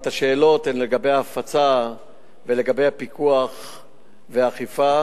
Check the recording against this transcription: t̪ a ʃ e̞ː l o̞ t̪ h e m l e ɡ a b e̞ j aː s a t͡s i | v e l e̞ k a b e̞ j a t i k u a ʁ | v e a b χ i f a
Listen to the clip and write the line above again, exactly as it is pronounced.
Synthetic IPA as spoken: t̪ a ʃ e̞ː l o̞ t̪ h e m l e ɡ a b e̞ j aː f a t͡s a | v e l e̞ ɡ a b e̞ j a p i k u a χ | v e a χ i f a